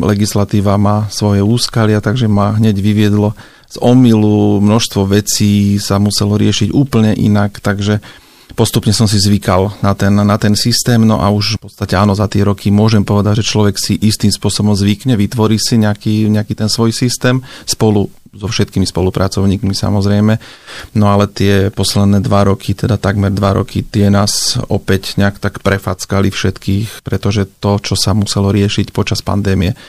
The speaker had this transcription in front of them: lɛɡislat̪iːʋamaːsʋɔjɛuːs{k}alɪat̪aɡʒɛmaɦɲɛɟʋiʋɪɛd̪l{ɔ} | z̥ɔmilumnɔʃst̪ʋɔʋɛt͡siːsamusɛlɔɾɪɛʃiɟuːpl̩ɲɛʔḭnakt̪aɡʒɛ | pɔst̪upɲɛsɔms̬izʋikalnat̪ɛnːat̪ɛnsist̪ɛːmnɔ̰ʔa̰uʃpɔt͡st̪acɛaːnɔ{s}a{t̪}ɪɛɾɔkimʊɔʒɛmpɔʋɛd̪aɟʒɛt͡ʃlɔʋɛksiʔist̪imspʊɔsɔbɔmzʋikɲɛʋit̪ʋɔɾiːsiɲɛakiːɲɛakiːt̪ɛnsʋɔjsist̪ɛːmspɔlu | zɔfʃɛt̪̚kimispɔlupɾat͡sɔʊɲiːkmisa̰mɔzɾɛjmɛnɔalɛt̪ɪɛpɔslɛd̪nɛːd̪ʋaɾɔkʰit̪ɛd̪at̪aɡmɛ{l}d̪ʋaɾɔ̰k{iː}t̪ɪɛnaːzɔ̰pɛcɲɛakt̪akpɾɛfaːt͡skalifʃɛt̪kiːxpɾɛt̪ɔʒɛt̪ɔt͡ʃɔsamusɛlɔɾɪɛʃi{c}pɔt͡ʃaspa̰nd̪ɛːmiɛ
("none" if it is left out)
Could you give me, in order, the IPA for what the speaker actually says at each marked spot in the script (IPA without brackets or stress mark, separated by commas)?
k, ɔ, z, t̪, ɾ, i, c